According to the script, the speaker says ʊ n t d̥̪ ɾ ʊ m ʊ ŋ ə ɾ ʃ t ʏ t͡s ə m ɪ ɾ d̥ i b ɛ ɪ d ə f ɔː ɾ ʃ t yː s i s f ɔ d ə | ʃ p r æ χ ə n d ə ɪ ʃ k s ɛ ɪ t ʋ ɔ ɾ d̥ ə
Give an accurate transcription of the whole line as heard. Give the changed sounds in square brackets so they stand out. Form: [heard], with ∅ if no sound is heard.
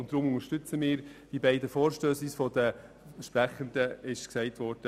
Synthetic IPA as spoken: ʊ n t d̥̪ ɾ ʊ m ʊ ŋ ə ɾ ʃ t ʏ t͡s ə m [ɪː] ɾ d̥ i b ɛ ɪ d ə f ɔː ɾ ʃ t [øː] s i s f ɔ d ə | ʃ p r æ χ ə n d ə ɪ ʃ k s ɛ ɪ t ʋ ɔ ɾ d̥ ə